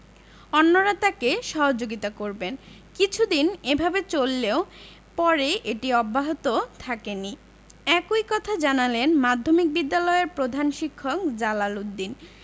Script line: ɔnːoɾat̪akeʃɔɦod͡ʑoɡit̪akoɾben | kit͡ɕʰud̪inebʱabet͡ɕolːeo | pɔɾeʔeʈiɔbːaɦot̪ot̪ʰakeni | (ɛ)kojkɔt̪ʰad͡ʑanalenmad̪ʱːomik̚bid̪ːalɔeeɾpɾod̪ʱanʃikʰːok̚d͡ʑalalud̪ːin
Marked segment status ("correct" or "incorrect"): correct